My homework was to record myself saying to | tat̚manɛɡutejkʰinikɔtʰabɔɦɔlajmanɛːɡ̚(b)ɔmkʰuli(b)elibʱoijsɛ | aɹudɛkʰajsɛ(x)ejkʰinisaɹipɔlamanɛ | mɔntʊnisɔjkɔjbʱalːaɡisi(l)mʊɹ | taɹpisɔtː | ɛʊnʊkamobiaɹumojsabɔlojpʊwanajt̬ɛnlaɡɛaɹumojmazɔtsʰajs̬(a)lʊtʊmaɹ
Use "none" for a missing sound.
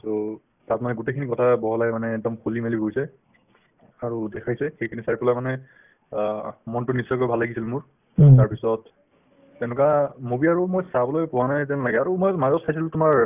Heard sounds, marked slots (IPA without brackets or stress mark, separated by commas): d, m, x, l, i